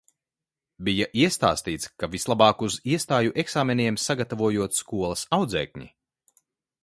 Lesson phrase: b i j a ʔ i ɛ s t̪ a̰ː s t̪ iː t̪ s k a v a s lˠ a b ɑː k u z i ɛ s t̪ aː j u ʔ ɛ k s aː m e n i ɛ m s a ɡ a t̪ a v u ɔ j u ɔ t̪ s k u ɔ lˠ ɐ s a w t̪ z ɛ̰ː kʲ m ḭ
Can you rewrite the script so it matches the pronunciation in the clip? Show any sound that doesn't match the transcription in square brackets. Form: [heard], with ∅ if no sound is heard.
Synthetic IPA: b i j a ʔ i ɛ s t̪ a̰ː s t̪ iː t̪ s k a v [i] s lˠ a b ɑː k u z i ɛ s t̪ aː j u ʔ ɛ k s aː m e n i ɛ m s a ɡ a t̪ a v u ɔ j u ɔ t̪ s k u ɔ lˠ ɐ s a w [d̪] z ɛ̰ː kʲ [ɲ] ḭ